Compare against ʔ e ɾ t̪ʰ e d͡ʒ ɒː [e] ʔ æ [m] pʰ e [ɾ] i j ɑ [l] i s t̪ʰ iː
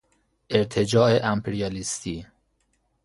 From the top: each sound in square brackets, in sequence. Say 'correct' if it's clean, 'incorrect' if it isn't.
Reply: correct, correct, correct, correct

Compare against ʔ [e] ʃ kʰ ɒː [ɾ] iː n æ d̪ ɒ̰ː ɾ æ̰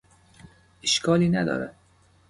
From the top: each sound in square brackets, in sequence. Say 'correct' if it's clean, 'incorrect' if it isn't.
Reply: correct, incorrect

